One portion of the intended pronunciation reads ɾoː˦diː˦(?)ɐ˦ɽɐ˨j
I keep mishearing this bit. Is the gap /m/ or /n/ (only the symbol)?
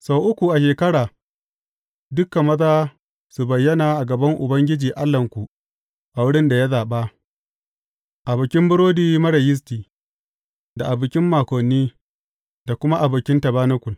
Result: m